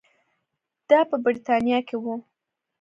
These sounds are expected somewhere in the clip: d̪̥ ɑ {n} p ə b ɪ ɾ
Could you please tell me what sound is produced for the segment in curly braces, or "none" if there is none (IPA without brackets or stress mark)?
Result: none